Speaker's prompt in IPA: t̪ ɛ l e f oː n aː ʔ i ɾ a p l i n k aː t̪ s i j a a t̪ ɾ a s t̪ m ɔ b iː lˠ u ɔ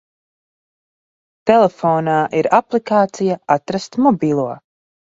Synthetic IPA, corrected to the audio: t̪ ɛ l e f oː n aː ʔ i ɾ a p l i k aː t̪ s i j a a t̪ ɾ a s t̪ m ɔ b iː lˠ u ɔ